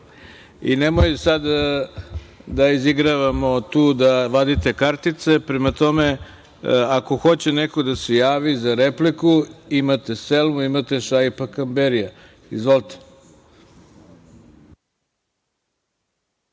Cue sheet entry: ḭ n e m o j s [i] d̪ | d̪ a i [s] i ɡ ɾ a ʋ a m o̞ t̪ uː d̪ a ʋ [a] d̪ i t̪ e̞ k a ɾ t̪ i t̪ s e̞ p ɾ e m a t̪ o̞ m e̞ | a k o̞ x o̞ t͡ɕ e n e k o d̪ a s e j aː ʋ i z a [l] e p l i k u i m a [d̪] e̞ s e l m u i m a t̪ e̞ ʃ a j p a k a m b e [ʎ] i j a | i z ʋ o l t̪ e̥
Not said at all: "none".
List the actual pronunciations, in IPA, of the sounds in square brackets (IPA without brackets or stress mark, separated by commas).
a, z, a, ɾ, t̪, ɾ